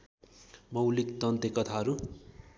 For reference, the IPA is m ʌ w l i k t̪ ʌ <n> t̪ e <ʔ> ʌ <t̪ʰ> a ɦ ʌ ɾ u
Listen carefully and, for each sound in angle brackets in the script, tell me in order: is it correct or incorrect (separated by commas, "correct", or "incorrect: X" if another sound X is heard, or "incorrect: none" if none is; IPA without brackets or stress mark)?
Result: correct, incorrect: k, correct